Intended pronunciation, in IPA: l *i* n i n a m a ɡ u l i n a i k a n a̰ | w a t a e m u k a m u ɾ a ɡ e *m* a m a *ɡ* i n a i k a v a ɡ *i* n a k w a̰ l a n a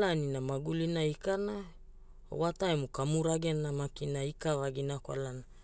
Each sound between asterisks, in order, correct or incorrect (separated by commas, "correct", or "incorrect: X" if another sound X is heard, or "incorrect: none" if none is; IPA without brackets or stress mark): incorrect: a, incorrect: n, incorrect: k, correct